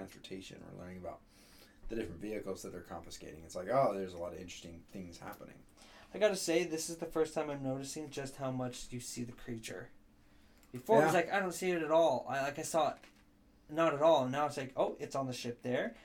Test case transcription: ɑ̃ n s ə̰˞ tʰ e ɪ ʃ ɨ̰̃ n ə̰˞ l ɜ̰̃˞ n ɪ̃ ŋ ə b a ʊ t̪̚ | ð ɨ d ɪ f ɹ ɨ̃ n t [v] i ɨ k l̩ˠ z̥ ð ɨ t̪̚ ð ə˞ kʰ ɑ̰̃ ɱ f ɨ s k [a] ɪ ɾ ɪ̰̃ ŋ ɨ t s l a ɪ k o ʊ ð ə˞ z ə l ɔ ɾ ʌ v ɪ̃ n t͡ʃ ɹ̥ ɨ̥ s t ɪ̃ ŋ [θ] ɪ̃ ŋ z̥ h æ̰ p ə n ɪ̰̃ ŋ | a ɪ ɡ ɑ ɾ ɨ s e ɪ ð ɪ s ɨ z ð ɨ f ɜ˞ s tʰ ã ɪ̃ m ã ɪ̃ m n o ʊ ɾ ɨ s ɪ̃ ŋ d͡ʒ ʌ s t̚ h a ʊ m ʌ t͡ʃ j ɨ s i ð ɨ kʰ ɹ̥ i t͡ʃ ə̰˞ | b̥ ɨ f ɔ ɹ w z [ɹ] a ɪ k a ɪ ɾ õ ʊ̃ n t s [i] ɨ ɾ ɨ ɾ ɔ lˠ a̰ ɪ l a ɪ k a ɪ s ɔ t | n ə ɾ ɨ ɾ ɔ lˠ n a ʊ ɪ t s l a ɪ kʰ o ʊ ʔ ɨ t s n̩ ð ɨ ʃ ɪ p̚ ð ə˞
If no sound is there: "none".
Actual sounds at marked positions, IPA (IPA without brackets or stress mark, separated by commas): v, e, θ, l, i